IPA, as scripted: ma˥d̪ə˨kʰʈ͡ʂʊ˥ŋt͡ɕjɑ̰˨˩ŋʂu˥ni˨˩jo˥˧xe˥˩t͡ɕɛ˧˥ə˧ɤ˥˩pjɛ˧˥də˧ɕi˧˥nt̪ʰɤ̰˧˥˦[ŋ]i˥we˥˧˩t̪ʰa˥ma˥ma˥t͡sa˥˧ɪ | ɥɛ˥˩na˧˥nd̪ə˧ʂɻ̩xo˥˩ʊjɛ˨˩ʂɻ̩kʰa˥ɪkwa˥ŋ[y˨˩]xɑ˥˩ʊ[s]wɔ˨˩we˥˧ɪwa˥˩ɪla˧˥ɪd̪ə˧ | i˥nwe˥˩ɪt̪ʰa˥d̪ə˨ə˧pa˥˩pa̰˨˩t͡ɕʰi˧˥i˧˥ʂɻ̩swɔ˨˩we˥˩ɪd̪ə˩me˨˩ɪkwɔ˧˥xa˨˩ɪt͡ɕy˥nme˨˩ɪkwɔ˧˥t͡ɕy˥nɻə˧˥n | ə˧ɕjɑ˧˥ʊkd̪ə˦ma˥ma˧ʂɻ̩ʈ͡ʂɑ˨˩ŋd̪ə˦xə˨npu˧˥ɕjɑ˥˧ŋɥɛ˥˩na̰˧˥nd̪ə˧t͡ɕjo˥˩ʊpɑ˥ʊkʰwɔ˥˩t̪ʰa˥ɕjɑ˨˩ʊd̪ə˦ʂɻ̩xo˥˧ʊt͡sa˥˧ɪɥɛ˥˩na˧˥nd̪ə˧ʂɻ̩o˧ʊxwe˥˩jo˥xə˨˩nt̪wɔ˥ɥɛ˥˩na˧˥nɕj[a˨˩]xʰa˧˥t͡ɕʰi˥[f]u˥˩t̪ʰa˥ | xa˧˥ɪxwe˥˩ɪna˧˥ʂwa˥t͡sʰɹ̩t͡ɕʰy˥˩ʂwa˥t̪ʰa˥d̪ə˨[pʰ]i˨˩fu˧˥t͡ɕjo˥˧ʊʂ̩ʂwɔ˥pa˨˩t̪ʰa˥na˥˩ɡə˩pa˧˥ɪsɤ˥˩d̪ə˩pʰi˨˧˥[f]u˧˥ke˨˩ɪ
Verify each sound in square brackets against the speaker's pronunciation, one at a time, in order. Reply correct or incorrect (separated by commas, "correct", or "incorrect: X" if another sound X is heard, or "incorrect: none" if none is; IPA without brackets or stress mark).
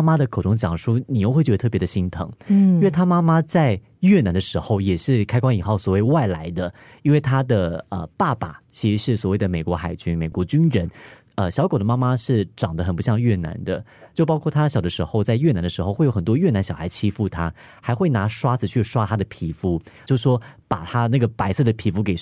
correct, incorrect: i˨˩, correct, incorrect: ɑ˨˩, correct, correct, correct